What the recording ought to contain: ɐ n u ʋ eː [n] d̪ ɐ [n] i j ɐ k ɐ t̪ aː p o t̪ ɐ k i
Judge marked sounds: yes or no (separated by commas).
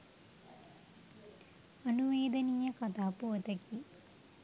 no, yes